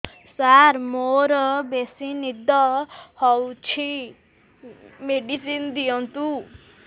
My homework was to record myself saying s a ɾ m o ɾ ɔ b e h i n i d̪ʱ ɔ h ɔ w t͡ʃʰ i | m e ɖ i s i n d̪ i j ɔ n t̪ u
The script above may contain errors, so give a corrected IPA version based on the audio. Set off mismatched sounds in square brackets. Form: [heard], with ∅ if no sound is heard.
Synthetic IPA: s a ɾ m o ɾ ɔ b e [s] i n i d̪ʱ ɔ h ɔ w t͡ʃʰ i | m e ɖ i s i n d̪ i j ɔ n t̪ u

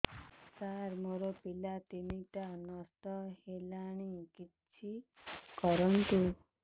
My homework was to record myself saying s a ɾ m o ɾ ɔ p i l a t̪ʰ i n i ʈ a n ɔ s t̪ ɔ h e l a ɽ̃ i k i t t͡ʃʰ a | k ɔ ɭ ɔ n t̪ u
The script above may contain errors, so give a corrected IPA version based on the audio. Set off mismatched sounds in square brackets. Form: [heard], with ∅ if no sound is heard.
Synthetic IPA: s a ɾ m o ɾ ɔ p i l a [t̪] i n i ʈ a n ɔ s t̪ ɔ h e l a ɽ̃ i k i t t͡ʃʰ [i] | k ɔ [ɾ] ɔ n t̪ u

